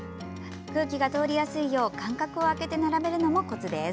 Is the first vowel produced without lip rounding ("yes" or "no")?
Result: yes